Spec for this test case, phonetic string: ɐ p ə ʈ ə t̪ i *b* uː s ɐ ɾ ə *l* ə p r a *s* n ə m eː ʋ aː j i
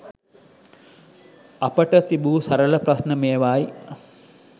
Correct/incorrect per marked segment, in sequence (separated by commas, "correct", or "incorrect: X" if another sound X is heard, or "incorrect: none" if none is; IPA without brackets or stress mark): correct, correct, correct